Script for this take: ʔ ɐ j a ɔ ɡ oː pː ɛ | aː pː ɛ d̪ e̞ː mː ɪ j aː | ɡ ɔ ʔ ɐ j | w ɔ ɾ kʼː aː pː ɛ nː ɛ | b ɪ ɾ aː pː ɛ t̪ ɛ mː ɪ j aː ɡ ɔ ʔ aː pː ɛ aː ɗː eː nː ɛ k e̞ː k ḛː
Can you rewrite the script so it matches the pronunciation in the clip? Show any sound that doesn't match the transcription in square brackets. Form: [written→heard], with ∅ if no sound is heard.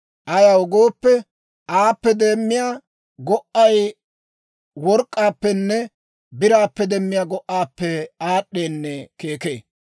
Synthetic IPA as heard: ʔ ɐ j a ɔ ɡ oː pː ɛ | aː pː ɛ d̪ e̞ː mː ɪ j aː | ɡ ɔ ʔ ɐ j | w ɔ ɾ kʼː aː pː ɛ nː ɛ | b ɪ ɾ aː pː ɛ [t̪→d̪] ɛ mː ɪ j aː ɡ ɔ ʔ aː pː ɛ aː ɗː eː nː ɛ k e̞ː k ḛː